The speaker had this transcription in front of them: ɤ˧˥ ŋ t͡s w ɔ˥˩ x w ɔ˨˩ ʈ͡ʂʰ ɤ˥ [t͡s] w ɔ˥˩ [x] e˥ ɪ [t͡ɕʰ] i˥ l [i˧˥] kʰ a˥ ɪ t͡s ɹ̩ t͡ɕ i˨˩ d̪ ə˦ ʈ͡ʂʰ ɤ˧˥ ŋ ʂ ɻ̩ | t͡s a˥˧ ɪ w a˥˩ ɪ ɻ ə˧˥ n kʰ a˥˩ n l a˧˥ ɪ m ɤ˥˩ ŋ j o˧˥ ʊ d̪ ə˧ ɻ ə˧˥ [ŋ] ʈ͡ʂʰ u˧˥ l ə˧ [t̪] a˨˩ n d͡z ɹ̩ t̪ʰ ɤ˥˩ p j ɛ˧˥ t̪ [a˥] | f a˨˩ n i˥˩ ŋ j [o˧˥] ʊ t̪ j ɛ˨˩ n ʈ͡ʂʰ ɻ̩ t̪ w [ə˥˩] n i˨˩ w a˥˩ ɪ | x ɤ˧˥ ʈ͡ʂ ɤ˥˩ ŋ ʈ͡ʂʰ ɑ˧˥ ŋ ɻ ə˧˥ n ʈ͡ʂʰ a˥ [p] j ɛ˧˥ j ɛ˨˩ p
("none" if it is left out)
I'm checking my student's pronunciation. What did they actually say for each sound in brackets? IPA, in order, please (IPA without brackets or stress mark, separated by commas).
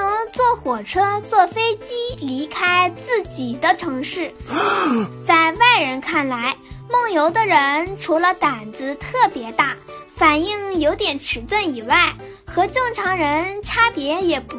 t͡s, f, t͡ɕ, i˧˥, n, t̪, a˥˩, o˧˥, ə˥˩, p